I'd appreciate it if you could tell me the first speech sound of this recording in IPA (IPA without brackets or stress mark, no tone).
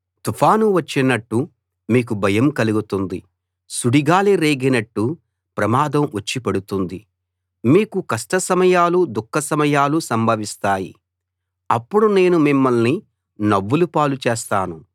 t̪